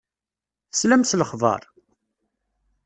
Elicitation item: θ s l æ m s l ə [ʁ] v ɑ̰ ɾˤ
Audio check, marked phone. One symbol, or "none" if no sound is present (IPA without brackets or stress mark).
χ